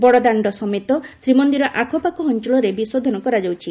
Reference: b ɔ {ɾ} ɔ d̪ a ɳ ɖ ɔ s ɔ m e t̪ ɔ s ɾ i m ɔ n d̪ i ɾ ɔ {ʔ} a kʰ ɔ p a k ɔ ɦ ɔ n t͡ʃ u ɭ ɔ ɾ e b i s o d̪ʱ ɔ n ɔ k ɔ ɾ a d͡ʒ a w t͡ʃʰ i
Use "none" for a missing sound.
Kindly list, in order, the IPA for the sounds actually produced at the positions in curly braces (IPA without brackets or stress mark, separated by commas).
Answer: ɽ, ʔ